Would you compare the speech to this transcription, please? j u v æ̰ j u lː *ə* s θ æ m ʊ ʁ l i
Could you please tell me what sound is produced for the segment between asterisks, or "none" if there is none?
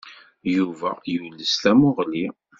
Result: ə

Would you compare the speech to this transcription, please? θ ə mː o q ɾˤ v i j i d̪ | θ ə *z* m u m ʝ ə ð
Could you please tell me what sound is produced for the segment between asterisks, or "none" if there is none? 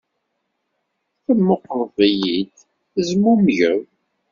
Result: z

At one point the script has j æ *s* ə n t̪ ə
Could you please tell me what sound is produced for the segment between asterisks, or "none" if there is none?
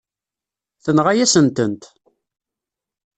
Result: s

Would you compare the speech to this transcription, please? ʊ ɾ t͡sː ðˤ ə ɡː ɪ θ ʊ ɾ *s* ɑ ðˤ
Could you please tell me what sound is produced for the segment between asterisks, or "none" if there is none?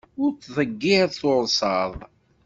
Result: s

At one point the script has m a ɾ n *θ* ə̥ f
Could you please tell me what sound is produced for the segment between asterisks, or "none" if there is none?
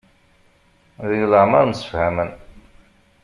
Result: s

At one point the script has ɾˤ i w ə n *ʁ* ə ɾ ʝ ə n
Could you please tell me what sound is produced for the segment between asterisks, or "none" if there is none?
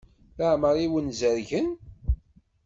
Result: z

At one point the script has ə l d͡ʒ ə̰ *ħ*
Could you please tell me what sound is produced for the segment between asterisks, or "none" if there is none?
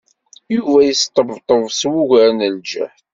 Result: ħ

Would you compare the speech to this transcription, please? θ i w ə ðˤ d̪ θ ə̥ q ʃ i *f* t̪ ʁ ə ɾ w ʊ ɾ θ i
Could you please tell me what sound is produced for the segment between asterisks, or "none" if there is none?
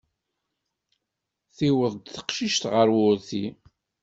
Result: ʃ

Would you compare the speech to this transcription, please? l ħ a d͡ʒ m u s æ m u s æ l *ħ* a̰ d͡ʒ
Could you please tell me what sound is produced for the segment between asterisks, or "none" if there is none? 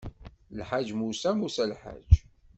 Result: ħ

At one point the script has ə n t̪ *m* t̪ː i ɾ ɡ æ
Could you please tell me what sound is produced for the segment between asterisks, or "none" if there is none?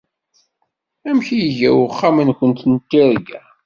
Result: n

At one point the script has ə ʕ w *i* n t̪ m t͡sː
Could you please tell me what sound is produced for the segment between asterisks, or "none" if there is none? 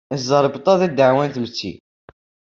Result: æ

